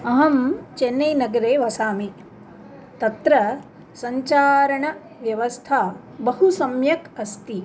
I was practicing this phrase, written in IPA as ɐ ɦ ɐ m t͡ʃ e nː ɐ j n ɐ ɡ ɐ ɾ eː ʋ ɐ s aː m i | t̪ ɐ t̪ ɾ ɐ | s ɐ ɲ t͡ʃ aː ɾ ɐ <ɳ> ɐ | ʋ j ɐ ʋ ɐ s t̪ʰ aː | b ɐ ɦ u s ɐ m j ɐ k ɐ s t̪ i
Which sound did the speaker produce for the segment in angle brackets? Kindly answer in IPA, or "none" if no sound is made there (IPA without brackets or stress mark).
ɳ